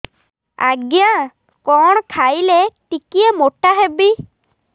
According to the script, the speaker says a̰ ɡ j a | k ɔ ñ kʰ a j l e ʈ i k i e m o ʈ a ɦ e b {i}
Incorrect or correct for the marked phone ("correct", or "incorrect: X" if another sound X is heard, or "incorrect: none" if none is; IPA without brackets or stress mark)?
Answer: correct